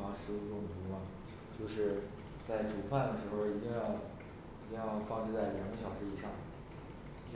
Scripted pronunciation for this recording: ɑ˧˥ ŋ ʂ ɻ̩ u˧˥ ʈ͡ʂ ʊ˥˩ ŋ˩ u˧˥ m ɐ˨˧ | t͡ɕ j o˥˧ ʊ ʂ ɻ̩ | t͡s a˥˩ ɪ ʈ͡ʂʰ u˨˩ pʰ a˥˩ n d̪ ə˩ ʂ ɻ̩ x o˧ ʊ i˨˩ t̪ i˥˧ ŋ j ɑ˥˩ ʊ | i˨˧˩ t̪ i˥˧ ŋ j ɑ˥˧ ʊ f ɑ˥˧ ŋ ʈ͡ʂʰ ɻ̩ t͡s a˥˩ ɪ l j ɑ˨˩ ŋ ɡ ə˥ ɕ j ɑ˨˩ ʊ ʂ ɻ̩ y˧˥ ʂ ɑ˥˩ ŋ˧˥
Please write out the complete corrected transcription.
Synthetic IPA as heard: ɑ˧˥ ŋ ʂ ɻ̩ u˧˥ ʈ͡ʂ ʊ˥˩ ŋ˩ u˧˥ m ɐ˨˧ | t͡ɕ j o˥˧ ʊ ʂ ɻ̩ | t͡s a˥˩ ɪ ʈ͡ʂ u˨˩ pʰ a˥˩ n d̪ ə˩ ʂ ɻ̩ x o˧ ʊ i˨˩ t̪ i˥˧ ŋ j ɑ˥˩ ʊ | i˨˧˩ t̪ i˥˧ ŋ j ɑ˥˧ ʊ f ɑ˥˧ ŋ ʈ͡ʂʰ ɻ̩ t͡s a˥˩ ɪ l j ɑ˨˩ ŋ ɡ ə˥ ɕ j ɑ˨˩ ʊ ʂ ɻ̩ i˧˥ ʂ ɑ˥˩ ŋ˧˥